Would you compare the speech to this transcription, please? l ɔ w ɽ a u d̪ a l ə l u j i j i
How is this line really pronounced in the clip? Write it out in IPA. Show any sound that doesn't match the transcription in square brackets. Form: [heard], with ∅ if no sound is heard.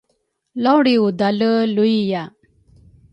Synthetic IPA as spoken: l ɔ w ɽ [i] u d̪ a l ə l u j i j [a]